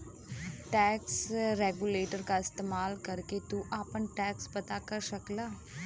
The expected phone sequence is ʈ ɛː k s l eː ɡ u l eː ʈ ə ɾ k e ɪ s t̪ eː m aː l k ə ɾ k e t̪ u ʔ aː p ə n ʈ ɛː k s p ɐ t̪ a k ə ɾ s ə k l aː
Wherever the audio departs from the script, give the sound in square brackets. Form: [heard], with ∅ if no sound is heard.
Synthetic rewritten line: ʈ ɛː k s [ɾ] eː ɡ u l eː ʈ ə ɾ k [a] ɪ s t̪ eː m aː l k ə ɾ k e t̪ u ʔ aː p ə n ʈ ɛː k s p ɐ t̪ a k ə ɾ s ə k l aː